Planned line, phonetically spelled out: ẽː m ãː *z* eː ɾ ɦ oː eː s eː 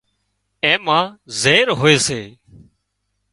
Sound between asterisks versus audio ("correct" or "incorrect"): correct